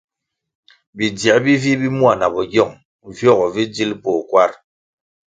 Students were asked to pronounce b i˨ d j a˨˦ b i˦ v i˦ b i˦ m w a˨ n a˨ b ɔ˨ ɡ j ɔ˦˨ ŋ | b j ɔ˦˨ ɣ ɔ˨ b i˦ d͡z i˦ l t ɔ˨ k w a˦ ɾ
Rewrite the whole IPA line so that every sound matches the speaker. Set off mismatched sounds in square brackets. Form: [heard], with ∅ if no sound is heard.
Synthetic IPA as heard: b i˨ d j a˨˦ b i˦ v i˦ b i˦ m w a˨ n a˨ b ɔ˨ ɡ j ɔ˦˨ ŋ | [v] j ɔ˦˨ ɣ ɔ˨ [v] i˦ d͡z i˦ l [p] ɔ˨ k w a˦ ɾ